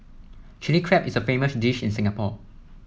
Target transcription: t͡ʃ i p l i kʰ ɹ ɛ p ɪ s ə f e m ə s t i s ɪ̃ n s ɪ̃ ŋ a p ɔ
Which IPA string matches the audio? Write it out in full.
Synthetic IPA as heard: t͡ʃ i l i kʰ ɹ ɛ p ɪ s ə f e m ə s d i ʃ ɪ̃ n s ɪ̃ ŋ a p ɔ